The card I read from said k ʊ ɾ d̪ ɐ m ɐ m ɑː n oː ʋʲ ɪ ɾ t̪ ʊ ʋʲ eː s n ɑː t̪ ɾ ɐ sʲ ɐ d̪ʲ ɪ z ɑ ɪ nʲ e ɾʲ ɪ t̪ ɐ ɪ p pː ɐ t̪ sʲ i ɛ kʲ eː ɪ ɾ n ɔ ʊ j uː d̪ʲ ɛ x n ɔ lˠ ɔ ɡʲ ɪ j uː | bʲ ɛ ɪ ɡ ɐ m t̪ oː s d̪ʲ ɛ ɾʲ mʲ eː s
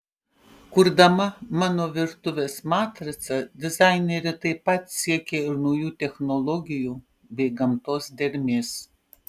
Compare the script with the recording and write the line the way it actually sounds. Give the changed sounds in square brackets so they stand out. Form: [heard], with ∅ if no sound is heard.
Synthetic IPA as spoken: k ʊ ɾ d̪ ɐ m ɐ m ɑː n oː ʋʲ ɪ ɾ t̪ ʊ ʋʲ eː s [m] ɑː t̪ ɾ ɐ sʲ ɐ d̪ʲ ɪ z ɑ ɪ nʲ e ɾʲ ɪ t̪ ɐ ɪ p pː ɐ t̪ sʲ i ɛ kʲ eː ɪ ɾ n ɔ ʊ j uː [t̪ʲ] ɛ x n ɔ lˠ ɔ ɡʲ ɪ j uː | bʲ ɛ ɪ ɡ ɐ m t̪ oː s d̪ʲ ɛ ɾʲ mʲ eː s